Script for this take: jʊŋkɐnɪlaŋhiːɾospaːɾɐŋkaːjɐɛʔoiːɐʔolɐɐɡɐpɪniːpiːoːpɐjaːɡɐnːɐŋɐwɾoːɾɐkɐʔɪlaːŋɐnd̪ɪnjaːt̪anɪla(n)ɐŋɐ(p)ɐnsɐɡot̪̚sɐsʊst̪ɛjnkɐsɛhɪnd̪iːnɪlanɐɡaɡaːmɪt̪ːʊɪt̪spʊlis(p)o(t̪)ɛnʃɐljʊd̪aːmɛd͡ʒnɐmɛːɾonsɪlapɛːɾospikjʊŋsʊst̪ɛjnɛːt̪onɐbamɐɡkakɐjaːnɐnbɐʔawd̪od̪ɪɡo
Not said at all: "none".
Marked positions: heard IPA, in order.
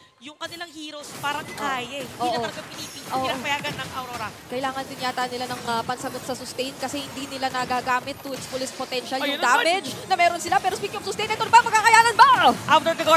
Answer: n, p, p, t̪

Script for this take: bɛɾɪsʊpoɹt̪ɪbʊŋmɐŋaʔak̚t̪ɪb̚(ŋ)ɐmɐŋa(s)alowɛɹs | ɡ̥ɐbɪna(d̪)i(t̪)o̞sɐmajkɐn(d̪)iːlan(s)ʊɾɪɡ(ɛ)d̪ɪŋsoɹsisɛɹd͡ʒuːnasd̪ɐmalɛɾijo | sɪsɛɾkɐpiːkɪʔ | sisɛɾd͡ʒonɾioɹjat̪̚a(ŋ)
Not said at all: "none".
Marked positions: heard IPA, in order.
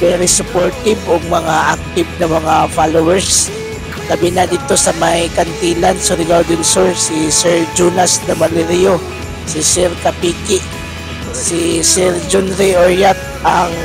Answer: n, f, d̪, t̪, t̪, s, a, ŋ

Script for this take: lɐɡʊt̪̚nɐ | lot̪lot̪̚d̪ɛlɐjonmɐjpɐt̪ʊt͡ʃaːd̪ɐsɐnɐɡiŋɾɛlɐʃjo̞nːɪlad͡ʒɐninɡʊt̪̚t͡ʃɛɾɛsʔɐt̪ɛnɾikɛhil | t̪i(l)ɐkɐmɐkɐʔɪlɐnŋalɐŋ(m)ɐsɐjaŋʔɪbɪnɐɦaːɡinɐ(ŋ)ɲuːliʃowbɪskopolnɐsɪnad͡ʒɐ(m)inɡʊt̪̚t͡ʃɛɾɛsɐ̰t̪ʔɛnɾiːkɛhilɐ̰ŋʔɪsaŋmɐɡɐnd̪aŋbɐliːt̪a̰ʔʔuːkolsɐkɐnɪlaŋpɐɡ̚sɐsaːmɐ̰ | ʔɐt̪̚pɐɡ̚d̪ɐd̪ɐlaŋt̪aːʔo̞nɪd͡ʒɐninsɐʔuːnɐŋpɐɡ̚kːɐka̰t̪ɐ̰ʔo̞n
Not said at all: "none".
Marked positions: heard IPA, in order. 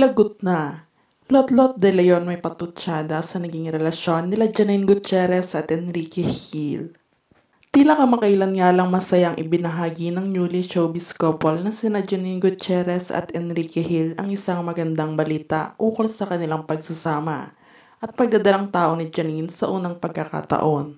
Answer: l, m, ŋ, n

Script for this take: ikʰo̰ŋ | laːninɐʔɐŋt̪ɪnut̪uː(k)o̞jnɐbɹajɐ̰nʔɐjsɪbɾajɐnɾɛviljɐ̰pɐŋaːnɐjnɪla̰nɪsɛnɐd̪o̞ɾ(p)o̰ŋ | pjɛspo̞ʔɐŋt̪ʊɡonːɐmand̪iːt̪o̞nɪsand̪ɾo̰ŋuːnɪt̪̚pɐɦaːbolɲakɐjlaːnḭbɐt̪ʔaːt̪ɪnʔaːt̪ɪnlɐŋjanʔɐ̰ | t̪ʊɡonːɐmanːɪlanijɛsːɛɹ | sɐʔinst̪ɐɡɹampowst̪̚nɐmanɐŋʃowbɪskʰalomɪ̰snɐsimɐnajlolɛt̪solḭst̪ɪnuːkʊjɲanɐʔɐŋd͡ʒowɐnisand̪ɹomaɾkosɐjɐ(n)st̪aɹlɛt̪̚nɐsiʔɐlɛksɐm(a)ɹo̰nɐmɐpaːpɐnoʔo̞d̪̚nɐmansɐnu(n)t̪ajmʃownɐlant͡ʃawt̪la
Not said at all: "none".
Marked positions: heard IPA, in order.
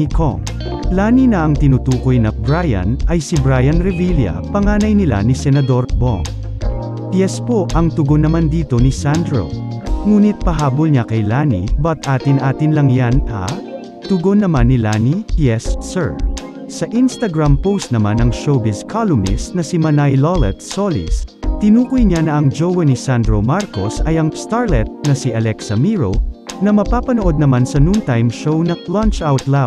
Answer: k, b, ŋ, i, n

